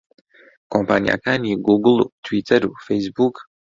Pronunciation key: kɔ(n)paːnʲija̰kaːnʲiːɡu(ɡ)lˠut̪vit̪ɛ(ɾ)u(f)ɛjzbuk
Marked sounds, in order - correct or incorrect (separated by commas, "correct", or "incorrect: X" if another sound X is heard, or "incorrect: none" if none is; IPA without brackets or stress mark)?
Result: incorrect: m, correct, correct, correct